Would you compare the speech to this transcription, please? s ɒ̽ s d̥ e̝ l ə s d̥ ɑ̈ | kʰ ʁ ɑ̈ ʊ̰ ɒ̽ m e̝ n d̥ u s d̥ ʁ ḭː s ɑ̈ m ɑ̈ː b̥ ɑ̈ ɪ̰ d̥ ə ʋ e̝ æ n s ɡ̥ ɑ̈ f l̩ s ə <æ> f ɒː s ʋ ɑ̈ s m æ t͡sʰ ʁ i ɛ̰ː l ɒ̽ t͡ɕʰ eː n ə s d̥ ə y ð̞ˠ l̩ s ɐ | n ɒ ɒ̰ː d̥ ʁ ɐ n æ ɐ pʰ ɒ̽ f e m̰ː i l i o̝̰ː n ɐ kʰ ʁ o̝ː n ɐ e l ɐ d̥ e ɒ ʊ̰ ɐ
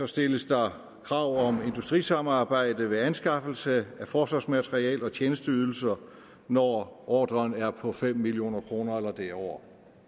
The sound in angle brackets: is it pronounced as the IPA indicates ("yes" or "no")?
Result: yes